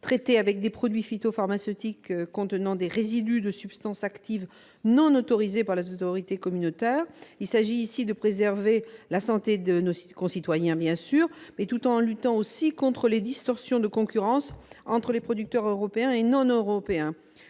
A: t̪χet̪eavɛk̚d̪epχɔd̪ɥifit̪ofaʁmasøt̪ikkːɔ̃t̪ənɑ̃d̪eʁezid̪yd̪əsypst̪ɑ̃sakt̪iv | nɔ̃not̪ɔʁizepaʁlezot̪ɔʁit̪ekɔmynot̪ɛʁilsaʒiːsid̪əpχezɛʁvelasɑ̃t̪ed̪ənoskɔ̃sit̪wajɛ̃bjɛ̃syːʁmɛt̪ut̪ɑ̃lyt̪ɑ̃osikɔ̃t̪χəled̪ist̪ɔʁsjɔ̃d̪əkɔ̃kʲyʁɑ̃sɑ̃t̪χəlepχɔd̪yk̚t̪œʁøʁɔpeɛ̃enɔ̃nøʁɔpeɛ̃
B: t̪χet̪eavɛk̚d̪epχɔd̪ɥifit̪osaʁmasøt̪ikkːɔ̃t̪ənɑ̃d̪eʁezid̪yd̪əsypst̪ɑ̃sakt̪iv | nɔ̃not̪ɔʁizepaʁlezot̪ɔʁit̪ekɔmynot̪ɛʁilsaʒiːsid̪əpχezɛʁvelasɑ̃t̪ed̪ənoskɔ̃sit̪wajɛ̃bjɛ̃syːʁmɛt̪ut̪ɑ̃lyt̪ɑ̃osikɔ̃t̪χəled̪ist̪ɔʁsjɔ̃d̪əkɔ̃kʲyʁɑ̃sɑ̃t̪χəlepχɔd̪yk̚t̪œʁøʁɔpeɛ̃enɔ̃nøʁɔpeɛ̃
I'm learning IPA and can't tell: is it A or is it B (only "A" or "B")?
A